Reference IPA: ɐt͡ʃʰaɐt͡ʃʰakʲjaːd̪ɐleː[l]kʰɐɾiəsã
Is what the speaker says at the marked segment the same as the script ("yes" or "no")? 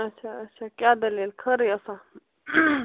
yes